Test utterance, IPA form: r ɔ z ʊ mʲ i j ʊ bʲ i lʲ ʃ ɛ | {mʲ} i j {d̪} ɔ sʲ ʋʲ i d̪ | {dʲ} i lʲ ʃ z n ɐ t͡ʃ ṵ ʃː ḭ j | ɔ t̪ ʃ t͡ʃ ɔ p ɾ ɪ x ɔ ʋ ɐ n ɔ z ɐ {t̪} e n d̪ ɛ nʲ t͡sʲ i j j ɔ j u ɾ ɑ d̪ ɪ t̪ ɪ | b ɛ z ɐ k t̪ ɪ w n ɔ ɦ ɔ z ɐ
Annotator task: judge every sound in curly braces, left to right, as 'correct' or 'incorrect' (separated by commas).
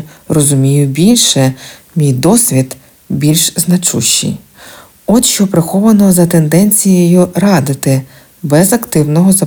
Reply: correct, correct, incorrect, correct